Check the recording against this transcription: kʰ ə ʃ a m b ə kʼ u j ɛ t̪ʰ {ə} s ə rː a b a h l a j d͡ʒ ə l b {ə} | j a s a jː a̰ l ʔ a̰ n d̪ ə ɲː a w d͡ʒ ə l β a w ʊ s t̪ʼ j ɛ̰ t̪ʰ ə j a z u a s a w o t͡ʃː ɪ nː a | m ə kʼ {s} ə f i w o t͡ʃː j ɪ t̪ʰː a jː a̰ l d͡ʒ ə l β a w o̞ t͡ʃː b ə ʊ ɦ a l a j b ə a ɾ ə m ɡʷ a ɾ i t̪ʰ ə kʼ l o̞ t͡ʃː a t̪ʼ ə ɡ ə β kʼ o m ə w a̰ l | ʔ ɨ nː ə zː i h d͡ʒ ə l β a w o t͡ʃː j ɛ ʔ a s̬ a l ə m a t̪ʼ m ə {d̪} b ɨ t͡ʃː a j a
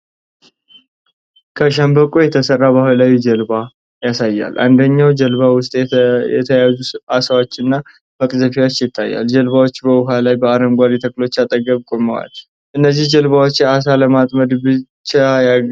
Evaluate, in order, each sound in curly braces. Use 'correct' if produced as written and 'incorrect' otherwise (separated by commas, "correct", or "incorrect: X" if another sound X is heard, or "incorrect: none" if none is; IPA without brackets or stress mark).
correct, incorrect: a, incorrect: z, correct